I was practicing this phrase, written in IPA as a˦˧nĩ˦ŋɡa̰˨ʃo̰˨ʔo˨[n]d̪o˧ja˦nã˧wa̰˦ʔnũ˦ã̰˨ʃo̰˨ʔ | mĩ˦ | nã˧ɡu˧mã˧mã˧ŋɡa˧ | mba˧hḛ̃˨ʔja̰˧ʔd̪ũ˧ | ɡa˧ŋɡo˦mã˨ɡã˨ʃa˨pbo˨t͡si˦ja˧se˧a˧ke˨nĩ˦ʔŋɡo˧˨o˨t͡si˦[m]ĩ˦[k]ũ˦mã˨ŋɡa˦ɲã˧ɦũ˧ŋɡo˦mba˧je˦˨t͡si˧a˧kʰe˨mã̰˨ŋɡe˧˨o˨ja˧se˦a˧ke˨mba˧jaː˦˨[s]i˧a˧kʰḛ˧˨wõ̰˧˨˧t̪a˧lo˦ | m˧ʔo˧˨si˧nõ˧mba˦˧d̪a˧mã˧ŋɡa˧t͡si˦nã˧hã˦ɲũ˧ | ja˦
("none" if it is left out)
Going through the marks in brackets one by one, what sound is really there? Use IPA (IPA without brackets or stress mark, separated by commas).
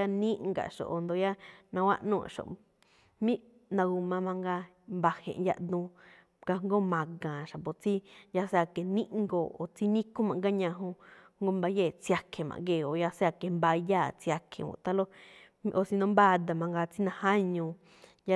n, n, k, t͡s